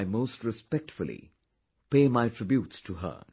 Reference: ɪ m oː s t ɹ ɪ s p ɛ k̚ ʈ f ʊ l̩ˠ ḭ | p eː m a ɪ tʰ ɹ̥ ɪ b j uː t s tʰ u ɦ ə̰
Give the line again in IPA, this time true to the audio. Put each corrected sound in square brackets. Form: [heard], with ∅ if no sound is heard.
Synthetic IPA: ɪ m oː s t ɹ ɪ s p ɛ k̚ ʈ f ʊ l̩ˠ ḭ | p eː m a ɪ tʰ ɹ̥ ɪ b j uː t s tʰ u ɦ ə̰